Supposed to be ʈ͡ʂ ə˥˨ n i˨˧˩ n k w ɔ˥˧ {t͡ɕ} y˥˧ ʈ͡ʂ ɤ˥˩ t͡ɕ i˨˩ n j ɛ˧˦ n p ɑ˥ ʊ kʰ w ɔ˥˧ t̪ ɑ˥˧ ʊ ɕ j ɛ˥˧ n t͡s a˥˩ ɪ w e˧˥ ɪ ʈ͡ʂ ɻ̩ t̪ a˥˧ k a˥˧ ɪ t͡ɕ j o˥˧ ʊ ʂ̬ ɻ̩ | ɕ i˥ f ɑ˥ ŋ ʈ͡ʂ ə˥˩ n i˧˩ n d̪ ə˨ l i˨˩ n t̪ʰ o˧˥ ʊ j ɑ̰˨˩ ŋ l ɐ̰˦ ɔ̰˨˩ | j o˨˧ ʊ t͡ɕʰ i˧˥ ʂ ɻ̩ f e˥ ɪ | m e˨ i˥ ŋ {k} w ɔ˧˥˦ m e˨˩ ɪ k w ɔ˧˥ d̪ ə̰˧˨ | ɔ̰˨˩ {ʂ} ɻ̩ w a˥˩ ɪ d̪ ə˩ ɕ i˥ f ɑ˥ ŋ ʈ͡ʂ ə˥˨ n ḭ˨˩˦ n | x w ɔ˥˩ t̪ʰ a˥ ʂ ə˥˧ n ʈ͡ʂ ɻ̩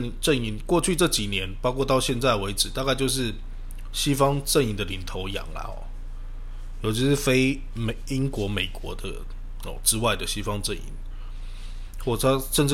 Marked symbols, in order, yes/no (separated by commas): no, yes, no